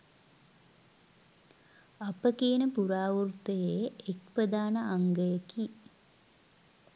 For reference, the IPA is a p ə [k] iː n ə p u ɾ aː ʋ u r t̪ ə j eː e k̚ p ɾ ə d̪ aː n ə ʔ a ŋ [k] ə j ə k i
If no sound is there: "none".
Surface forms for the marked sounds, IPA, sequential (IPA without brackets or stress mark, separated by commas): k, ɡ